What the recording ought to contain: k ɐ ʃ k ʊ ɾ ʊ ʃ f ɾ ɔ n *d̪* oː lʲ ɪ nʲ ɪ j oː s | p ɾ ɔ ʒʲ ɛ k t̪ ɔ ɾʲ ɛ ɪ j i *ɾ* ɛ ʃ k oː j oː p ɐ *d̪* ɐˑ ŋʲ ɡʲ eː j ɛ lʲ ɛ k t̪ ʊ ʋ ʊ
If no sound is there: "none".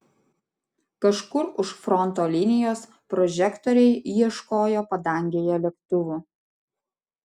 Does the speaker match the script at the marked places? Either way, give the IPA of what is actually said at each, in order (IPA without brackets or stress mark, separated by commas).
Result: t̪, none, d̪